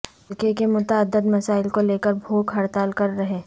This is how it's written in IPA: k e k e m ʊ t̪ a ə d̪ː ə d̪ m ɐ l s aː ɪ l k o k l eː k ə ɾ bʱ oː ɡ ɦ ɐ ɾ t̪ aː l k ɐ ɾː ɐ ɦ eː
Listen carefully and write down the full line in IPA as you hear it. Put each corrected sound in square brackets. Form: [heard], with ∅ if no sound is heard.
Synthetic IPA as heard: k e k e m ʊ t̪ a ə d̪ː ə d̪ m ɐ [∅] s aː ɪ l k o [∅] l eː k ə ɾ bʱ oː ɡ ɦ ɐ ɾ t̪ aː l k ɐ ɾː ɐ ɦ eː